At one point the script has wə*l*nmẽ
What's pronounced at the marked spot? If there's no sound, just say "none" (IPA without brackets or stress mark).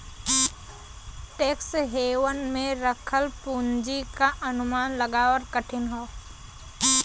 none